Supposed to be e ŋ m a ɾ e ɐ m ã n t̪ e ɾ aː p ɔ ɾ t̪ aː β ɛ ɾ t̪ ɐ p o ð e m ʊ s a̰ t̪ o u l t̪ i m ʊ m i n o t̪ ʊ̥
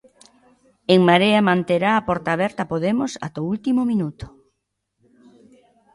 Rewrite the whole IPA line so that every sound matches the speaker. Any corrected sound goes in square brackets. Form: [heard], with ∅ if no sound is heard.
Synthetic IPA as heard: e ŋ m a ɾ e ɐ m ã n t̪ e ɾ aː p ɔ ɾ t̪ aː β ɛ ɾ t̪ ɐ p o ð e m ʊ s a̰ t̪ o u l t̪ i m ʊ m i n [u] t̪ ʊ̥